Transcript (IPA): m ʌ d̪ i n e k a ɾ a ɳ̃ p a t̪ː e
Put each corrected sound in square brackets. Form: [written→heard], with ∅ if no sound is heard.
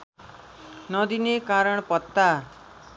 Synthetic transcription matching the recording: [m→n] ʌ d̪ i n e k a ɾ [a→ʌ] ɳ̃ p [a→ʌ] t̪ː [e→a]

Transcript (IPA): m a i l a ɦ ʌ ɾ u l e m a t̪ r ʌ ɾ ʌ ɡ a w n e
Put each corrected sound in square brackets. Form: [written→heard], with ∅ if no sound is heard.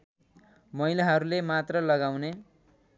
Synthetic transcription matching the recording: m [a→ʌ] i l a ɦ ʌ ɾ u l e m a t̪ r ʌ [ɾ→l] ʌ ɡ a w n e

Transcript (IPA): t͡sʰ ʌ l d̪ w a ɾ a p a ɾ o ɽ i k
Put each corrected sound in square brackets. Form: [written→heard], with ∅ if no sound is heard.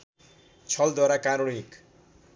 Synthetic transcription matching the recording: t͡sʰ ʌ l d̪ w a ɾ a [p→k] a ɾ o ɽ i k

